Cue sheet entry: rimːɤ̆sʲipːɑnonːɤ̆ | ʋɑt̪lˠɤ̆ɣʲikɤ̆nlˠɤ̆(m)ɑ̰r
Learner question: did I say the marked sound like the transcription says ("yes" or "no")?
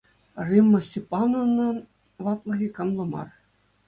yes